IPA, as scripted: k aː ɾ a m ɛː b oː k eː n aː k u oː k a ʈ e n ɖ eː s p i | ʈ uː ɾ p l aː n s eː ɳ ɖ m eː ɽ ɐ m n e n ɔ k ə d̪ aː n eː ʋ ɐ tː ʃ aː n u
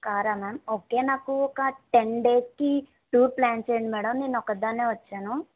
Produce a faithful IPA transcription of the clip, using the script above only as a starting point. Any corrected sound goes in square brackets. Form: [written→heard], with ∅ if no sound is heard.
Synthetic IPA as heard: k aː ɾ a m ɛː [b→m] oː k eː n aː k u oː k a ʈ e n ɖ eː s [p→k] i | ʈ uː ɾ p l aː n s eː ɳ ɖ m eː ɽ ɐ m n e n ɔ k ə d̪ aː n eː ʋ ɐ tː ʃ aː n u